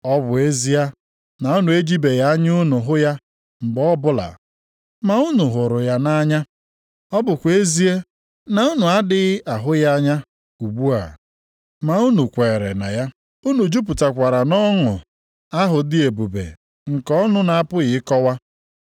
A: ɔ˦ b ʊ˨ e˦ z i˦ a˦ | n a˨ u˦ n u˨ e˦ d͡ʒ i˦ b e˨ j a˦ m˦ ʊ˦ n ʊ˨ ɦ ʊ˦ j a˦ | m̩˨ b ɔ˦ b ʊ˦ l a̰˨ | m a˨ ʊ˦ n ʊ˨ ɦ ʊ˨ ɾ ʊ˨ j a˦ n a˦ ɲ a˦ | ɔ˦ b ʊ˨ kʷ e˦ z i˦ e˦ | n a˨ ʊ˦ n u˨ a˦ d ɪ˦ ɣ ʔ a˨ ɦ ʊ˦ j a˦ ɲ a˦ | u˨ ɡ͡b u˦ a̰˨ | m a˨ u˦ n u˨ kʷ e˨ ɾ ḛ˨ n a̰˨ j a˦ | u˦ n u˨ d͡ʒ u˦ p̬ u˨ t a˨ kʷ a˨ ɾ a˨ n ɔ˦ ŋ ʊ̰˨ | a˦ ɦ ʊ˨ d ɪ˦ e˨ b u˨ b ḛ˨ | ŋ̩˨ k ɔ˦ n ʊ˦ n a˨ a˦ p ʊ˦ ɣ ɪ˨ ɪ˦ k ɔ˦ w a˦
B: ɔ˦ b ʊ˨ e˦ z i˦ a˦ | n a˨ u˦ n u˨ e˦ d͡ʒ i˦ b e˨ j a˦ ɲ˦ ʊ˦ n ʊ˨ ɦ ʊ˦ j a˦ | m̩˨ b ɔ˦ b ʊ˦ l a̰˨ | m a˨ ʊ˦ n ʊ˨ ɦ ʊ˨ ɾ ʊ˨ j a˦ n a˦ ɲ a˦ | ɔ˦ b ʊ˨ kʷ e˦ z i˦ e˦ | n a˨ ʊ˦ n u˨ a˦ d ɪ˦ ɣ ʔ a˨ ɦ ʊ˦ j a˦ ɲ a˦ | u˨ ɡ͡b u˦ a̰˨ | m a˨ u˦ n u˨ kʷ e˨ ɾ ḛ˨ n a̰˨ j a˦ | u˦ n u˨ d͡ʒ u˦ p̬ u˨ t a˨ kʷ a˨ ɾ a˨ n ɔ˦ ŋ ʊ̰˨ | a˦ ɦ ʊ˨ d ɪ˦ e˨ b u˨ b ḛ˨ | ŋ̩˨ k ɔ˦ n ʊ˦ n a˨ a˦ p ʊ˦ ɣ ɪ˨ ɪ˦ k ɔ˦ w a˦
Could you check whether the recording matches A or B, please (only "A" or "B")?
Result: B